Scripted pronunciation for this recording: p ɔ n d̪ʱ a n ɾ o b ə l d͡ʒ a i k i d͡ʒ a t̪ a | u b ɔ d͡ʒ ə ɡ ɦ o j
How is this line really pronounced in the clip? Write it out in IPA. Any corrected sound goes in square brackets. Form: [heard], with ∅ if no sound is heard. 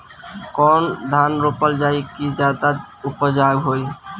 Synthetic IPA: [k] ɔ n d̪ʱ a n ɾ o [p] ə l d͡ʒ a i k i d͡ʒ a [d̪] a | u [p] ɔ d͡ʒ [a] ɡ ɦ o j